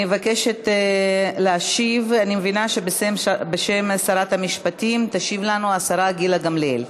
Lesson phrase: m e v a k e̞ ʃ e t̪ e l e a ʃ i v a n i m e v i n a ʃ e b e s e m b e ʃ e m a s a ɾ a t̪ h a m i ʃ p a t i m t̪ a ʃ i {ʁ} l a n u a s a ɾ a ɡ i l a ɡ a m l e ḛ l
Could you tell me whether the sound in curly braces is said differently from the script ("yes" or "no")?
yes